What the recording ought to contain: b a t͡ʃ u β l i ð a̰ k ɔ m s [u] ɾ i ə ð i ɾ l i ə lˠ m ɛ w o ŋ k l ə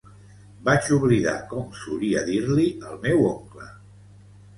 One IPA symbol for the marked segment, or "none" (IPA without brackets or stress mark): u